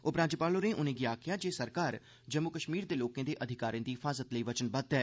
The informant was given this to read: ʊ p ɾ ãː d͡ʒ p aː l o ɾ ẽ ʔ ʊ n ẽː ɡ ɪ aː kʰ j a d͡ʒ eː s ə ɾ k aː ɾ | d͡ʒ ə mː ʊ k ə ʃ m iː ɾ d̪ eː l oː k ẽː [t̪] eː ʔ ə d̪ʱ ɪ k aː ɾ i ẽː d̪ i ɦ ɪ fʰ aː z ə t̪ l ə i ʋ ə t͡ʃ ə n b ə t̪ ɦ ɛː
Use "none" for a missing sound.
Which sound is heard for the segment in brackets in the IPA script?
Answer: d̪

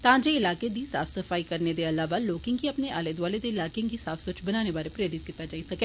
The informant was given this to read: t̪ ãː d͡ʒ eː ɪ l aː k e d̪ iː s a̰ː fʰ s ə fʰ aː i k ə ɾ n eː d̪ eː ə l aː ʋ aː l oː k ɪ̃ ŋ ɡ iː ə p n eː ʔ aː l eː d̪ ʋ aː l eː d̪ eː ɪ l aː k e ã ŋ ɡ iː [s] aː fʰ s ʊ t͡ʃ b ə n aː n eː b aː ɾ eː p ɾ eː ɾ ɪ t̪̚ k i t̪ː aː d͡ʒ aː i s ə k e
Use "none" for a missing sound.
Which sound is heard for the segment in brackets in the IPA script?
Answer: s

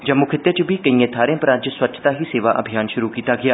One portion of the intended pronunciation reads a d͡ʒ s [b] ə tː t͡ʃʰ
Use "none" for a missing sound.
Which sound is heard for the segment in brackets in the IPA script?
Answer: w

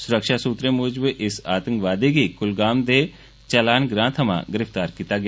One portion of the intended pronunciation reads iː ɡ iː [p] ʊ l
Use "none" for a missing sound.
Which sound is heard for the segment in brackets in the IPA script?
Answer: k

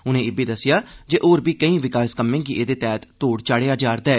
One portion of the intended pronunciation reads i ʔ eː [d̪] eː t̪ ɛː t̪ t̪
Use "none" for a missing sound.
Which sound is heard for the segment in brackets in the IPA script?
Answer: d̪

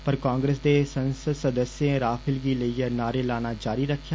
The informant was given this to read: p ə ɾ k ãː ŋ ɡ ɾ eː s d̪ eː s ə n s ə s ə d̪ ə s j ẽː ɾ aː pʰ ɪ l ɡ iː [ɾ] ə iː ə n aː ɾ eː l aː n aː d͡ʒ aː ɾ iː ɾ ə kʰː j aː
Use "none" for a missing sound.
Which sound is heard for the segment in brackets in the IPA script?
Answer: l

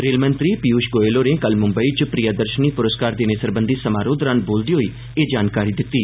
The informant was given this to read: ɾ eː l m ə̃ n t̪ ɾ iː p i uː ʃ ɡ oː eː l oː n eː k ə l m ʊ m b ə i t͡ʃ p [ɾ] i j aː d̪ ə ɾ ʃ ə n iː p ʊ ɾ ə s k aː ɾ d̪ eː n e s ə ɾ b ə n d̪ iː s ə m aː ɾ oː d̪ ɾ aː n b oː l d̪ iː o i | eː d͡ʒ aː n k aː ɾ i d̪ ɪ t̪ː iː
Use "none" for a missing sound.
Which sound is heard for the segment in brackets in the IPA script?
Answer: ɾ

